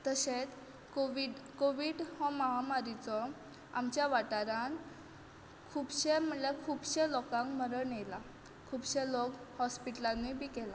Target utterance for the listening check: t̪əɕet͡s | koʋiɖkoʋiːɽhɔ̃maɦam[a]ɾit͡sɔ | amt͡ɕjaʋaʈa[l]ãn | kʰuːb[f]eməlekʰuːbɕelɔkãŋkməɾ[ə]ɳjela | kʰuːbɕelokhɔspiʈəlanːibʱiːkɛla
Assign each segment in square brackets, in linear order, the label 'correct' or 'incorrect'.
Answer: correct, incorrect: ɾ, incorrect: ɕ, correct

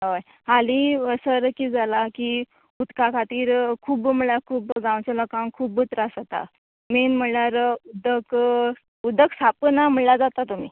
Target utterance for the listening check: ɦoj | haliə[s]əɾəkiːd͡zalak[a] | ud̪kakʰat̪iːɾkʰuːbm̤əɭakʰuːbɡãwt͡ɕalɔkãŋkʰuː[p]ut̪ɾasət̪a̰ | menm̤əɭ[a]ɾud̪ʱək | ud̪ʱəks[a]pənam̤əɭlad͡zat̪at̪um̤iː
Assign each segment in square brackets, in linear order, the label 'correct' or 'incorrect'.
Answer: correct, incorrect: i, incorrect: b, correct, correct

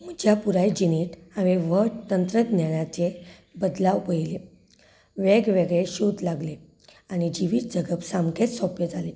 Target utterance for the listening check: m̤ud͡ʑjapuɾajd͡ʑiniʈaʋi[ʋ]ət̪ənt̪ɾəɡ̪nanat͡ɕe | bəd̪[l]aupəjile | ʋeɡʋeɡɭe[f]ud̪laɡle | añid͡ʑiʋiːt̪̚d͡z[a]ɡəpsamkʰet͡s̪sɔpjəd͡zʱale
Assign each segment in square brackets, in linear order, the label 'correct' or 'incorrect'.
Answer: correct, correct, incorrect: ɕ, incorrect: ə

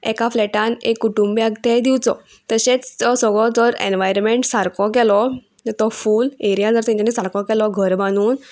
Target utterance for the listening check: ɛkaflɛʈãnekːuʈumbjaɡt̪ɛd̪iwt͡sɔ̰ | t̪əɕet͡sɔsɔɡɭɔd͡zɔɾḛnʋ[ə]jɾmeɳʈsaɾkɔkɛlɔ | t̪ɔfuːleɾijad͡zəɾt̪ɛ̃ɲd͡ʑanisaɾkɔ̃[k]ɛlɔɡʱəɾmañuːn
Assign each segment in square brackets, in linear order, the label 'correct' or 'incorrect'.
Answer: incorrect: a, correct

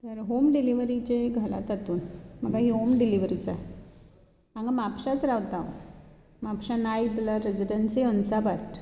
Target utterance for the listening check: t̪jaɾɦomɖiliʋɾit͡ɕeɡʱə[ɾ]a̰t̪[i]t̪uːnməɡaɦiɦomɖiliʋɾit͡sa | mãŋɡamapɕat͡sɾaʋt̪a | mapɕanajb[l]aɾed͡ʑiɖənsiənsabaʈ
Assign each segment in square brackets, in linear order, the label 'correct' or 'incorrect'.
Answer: incorrect: l, incorrect: a, correct

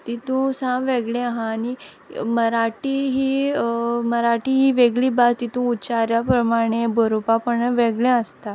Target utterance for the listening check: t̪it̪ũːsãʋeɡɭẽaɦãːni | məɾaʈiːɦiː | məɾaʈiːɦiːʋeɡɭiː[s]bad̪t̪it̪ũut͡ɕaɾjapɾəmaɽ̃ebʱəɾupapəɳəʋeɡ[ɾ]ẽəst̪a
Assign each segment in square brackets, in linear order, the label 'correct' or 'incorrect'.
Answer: incorrect: none, incorrect: ɭ

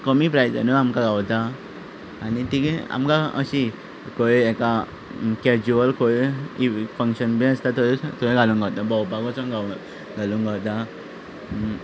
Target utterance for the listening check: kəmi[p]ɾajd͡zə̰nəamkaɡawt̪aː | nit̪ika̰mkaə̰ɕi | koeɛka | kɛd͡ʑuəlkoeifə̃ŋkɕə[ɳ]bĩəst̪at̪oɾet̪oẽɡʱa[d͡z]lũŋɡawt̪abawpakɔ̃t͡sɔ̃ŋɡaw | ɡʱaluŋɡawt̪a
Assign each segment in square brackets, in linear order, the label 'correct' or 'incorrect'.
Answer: correct, incorrect: n, incorrect: none

